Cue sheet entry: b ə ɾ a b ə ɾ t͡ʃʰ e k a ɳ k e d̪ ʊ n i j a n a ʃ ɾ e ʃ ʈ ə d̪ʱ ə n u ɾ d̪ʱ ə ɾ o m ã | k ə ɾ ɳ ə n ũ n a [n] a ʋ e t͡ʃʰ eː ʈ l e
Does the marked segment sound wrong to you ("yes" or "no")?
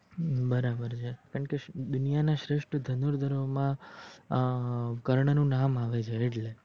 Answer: yes